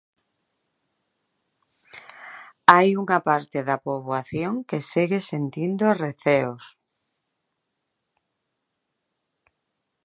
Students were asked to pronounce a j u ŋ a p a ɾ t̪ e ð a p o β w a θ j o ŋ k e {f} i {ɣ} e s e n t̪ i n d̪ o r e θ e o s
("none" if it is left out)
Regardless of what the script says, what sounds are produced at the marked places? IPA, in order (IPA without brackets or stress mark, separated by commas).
s, ɣ